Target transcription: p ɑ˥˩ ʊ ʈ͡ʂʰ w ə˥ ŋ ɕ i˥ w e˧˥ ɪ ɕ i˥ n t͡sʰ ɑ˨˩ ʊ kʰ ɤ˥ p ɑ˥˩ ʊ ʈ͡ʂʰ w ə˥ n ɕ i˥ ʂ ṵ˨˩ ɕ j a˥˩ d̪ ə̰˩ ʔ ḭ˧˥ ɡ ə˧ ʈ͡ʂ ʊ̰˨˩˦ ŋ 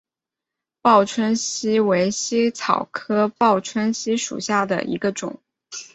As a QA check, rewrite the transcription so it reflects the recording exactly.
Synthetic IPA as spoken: p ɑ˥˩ ʊ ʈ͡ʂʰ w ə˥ n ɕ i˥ w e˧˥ ɪ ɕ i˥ t͡sʰ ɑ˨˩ ʊ kʰ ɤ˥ p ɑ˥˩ ʊ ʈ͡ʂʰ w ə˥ n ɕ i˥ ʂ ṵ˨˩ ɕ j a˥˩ d̪ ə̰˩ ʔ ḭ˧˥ ɡ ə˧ ʈ͡ʂ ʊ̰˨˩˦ ŋ